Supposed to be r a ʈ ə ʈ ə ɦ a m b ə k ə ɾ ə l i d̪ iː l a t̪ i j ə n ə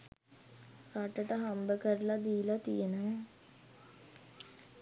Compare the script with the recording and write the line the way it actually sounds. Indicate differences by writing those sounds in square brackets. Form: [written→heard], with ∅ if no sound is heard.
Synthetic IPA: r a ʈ ə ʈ ə ɦ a m b ə k ə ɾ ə l [i→a] d̪ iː l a t̪ i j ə n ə